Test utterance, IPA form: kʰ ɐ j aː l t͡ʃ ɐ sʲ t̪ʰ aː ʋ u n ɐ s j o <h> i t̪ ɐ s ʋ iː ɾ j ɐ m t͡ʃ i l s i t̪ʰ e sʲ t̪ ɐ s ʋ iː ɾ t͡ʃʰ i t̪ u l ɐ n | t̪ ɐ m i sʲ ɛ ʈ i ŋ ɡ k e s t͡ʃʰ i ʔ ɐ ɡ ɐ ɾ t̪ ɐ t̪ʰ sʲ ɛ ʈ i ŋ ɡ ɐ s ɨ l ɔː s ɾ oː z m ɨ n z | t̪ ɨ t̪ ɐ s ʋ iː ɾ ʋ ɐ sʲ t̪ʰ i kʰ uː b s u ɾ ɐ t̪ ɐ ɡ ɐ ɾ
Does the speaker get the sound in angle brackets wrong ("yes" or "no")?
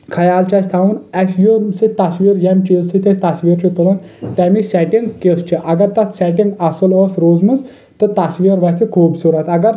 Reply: yes